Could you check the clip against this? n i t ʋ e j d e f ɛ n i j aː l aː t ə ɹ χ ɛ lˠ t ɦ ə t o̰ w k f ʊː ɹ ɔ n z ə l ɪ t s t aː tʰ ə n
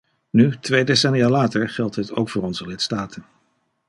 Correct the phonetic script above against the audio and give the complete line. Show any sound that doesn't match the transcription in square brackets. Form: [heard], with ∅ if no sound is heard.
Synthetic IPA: n [y] t ʋ e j d e [s] ɛ n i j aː l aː t ə ɹ χ ɛ lˠ t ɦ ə t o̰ w k f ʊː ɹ ɔ n z ə l ɪ t s t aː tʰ ə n